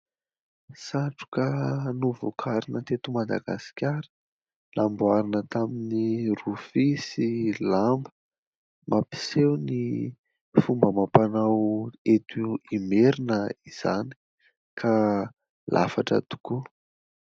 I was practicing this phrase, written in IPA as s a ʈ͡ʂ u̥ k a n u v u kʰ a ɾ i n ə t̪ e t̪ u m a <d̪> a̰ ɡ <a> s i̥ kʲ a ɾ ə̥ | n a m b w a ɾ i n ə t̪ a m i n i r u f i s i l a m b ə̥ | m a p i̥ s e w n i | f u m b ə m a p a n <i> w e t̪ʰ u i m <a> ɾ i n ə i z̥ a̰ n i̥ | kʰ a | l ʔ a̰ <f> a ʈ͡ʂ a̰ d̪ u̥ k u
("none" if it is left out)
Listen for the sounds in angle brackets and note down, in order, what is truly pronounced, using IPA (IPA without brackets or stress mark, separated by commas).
d̪, a, a, e, f